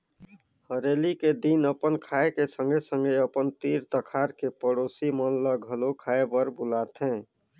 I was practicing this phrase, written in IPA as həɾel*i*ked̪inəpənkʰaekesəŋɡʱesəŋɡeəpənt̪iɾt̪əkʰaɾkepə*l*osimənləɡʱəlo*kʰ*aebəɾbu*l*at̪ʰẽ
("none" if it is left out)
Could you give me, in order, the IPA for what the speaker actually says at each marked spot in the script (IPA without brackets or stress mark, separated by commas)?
i, ɽ, kʰ, l